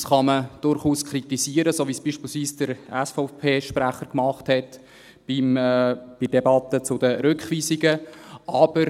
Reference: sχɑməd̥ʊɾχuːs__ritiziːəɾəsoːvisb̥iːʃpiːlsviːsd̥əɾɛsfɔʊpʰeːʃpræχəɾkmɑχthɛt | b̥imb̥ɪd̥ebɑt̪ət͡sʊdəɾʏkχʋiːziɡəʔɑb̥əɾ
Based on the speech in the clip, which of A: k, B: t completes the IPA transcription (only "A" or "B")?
A